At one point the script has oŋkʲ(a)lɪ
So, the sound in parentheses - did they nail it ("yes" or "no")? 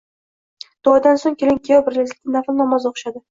no